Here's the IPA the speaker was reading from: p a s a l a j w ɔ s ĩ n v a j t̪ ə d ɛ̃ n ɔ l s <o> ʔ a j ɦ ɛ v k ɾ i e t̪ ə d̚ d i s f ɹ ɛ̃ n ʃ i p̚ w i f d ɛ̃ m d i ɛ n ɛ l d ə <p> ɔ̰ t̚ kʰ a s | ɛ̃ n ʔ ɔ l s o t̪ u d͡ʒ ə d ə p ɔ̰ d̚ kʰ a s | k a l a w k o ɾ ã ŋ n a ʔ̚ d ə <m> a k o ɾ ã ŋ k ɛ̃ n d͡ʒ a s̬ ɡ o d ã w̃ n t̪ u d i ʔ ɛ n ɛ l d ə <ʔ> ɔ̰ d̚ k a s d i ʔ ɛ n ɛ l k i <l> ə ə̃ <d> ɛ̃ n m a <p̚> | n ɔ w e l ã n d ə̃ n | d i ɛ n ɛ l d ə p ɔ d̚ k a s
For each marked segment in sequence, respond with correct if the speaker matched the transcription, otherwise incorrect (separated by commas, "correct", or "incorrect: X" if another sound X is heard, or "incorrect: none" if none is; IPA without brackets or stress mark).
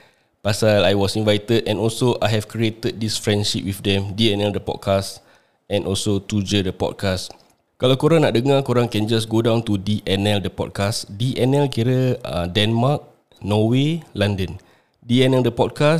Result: correct, correct, incorrect: ŋ, incorrect: p, incorrect: ɾ, correct, incorrect: k̚